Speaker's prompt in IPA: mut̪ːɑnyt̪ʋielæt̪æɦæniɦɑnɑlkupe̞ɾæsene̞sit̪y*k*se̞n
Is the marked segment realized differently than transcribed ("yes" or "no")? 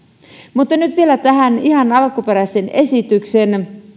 no